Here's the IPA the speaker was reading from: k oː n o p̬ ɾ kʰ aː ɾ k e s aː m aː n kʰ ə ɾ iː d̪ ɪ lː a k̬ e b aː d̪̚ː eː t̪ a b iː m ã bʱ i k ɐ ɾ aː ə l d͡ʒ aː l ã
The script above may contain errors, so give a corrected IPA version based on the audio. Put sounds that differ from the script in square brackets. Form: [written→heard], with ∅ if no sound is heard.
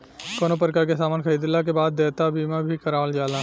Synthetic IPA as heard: k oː n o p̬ ɾ [kʰ→k] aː ɾ k e s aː m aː n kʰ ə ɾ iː d̪ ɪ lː a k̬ e b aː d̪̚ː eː t̪ a b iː m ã bʱ i k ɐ ɾ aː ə l d͡ʒ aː l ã